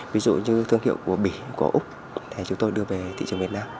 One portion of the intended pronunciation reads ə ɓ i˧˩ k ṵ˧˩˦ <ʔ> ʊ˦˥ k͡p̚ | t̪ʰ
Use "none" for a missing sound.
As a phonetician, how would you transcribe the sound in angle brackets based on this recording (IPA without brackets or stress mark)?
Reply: ʔ